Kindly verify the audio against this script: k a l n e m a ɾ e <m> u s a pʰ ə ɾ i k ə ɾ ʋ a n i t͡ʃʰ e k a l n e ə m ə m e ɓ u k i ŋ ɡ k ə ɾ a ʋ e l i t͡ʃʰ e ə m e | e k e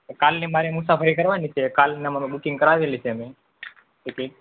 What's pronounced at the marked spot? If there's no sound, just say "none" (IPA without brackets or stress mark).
m